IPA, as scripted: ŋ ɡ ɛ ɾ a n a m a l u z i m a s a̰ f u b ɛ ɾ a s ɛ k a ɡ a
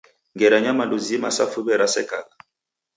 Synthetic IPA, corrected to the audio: ŋ ɡ ɛ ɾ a ɲ a m a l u z i m a s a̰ f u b ɛ ɾ a s ɛ k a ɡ a